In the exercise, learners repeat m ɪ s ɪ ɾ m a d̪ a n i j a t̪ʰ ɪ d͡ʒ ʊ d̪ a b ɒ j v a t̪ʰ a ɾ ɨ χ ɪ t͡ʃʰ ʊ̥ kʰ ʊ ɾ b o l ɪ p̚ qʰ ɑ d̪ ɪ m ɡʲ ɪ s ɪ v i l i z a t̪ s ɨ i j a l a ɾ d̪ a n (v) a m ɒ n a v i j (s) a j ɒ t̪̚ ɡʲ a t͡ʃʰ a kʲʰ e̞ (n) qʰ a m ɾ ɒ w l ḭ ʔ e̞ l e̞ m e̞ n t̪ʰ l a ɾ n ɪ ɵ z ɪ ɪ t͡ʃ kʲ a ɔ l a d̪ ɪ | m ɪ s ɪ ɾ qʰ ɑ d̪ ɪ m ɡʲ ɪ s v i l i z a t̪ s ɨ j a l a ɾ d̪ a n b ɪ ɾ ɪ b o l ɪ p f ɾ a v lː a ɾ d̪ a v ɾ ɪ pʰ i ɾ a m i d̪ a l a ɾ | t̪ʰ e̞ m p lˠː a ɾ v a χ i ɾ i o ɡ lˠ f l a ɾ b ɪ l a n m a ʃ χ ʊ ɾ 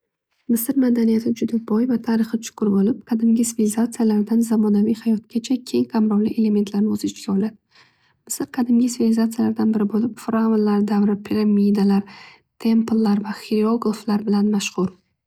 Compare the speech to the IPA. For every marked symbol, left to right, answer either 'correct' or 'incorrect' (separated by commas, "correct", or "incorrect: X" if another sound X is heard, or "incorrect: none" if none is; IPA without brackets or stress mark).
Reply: incorrect: z, incorrect: h, incorrect: ŋ